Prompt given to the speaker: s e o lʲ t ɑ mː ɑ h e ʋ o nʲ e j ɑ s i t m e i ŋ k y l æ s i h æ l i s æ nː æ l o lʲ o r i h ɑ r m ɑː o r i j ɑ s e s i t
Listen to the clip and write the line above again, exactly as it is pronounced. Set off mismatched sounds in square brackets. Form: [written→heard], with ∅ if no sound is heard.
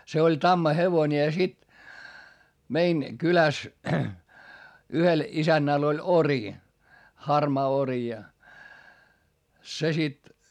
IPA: s e o lʲ t ɑ mː ɑ h e ʋ o nʲ e j ɑ s i t m e i [ŋ→n] k y l æ s [i→y] h [æ→e] l i s æ nː æ l o lʲ o r i h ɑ r m ɑː o r i j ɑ s e s i t